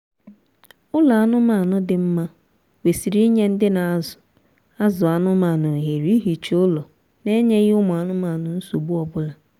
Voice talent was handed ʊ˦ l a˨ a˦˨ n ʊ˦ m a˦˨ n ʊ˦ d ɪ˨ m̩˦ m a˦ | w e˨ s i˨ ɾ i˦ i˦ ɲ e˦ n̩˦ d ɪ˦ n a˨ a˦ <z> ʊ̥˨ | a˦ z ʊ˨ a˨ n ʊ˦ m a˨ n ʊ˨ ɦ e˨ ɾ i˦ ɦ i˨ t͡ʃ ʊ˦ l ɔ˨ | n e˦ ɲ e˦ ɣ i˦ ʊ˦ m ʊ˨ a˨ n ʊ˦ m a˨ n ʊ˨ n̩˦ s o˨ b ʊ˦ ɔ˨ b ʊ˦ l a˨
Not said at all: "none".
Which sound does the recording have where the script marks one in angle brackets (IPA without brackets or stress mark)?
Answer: z